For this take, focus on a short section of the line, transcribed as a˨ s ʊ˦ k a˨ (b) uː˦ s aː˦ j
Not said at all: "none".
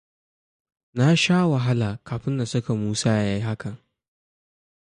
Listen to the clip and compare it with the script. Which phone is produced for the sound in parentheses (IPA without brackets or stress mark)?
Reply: m